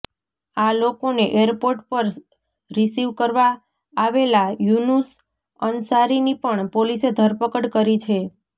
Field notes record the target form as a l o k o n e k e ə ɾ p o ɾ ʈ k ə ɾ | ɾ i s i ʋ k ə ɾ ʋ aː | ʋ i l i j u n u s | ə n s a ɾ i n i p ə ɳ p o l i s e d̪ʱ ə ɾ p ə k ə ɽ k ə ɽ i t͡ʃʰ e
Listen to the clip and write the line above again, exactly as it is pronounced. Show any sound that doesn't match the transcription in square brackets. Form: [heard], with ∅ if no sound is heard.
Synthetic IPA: a l o k o n e [ʔ] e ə ɾ p o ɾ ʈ [p] ə ɾ | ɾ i s i ʋ k ə ɾ ʋ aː | ʋ [e] l [a] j u n u s | ə n s a ɾ i n i p ə ɳ p o l i s e d̪ʱ ə ɾ p ə k ə ɽ k ə [ɾ] i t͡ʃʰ e